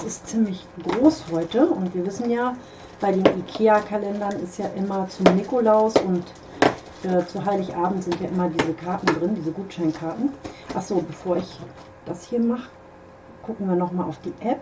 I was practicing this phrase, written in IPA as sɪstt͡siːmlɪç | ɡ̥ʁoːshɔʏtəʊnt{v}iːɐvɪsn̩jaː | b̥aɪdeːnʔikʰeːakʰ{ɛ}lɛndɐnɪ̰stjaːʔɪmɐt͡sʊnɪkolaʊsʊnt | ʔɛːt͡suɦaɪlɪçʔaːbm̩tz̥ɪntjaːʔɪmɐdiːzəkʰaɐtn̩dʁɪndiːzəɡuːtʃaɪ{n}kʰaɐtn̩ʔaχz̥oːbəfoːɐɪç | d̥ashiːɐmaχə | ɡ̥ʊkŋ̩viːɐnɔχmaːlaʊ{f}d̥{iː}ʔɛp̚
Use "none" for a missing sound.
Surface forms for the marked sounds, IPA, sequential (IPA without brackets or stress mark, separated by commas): v, a, n, f, iː